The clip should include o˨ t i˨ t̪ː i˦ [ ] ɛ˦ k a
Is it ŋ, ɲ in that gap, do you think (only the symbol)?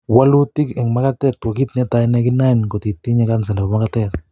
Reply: ɲ